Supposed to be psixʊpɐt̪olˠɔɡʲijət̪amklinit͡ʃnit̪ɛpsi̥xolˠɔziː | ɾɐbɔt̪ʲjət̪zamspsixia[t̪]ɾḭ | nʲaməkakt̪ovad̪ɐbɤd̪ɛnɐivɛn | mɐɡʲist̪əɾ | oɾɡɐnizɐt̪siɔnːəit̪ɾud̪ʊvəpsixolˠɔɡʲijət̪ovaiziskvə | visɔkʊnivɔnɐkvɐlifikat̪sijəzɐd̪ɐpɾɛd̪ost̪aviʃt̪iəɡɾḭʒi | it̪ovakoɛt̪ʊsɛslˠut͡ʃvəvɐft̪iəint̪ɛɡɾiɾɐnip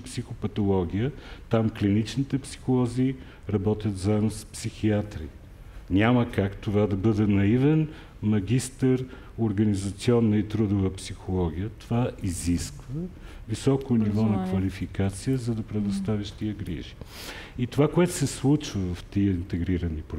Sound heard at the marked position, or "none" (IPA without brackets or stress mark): t̪